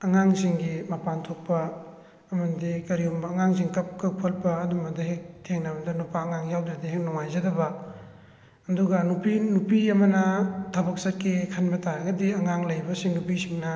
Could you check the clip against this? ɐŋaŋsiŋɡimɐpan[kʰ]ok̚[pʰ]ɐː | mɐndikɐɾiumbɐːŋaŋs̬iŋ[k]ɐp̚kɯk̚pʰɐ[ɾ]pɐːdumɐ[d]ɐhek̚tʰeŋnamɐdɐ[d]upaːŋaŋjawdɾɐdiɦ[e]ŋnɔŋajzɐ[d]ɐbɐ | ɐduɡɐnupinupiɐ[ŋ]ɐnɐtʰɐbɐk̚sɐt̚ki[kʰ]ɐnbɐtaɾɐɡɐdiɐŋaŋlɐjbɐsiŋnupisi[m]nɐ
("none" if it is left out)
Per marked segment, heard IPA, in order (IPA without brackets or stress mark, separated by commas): tʰ, p, k, l, d, n, e, d, m, kʰ, ŋ